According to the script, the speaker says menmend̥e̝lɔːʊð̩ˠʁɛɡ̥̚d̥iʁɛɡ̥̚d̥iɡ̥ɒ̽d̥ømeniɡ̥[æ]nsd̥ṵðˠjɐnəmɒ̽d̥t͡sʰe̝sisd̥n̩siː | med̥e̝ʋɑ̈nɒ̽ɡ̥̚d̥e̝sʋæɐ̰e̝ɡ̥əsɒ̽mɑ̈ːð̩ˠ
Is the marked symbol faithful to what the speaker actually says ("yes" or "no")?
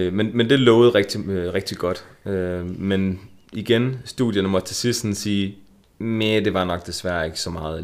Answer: no